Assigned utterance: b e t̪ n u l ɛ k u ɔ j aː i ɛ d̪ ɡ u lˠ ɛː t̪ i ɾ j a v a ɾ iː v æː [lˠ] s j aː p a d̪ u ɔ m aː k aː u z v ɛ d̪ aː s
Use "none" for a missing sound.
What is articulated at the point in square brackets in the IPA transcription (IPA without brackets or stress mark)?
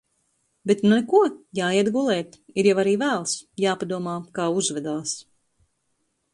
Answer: lˠ